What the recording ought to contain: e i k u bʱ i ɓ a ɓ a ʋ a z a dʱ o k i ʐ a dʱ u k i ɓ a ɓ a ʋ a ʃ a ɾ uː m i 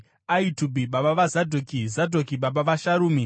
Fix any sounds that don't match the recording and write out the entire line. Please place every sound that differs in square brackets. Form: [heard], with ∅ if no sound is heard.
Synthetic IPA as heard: [a] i [t] u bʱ i ɓ a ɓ a ʋ a z a dʱ o k i [z] a dʱ [o] k i ɓ a ɓ a ʋ a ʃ a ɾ uː m i